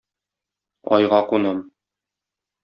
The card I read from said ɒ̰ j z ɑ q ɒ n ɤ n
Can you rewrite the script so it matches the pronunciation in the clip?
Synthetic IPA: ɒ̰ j ʁ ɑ q u n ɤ m